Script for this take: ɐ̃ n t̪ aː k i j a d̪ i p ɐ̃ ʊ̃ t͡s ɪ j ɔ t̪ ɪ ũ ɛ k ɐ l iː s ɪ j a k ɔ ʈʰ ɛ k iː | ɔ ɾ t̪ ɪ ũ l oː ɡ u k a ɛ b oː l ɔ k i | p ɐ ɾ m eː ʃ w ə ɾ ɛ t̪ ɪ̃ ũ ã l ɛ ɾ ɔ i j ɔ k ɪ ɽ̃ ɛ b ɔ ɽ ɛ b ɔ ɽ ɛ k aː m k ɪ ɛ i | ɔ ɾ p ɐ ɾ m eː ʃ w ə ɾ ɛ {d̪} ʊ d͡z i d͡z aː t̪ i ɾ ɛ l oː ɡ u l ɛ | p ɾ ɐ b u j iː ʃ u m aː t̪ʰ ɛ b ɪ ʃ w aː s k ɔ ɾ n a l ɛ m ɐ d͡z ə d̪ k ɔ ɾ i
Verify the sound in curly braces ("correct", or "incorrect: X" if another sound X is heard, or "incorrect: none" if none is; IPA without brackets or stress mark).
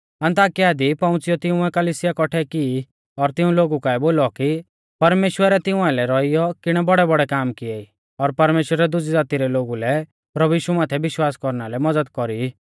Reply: correct